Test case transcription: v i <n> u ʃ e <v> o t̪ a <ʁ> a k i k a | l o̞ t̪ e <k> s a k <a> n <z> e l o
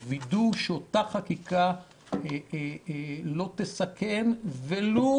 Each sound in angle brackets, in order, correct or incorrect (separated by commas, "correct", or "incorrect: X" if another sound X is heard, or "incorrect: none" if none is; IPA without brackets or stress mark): incorrect: d, incorrect: none, incorrect: χ, incorrect: none, incorrect: e, incorrect: v